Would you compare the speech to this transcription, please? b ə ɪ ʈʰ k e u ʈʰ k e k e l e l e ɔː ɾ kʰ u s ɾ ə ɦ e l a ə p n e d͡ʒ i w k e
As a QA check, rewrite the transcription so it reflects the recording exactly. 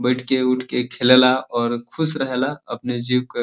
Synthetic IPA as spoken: b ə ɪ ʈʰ k e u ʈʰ k e kʰ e l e l a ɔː ɾ kʰ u s ɾ ə ɦ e l a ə p n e d͡ʒ i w k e